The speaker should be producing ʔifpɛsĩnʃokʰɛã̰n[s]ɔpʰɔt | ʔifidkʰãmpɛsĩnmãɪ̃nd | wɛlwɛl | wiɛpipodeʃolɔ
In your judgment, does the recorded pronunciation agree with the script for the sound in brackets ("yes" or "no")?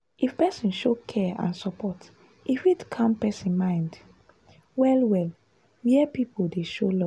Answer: yes